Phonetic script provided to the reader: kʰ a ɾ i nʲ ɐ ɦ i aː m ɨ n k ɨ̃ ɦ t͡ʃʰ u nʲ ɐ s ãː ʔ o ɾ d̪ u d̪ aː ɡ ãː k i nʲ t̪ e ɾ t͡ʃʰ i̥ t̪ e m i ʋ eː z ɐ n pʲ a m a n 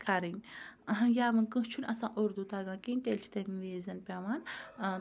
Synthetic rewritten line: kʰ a ɾ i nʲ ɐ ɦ j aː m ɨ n k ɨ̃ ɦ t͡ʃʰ u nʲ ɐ s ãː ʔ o ɾ d̪ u t̪ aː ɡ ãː k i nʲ t̪ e l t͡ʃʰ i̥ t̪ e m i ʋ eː z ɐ n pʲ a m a n